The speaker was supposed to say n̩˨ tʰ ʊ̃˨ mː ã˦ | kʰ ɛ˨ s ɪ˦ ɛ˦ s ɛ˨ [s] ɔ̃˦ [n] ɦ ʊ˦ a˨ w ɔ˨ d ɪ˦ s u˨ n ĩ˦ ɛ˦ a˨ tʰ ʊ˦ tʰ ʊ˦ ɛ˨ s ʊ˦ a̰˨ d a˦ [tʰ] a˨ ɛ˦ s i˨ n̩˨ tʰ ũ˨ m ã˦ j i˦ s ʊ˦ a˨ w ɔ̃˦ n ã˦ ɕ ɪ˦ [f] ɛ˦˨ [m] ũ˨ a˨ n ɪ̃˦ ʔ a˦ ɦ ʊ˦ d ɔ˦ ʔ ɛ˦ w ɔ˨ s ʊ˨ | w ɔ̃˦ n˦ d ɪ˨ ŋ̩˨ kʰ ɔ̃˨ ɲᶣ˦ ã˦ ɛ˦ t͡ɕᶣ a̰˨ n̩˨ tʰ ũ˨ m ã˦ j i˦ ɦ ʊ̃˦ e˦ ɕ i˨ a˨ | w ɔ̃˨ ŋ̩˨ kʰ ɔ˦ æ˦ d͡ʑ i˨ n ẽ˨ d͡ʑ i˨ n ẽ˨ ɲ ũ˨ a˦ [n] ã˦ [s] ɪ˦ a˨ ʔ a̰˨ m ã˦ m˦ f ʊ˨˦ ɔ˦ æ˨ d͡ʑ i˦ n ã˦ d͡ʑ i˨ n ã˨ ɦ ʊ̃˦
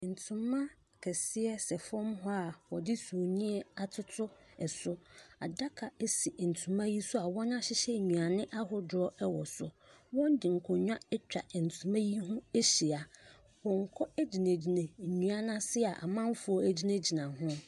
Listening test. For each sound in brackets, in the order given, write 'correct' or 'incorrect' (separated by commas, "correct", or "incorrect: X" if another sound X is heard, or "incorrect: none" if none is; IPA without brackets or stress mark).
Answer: incorrect: f, incorrect: m, incorrect: kʰ, incorrect: ɕ, incorrect: ɲ, correct, correct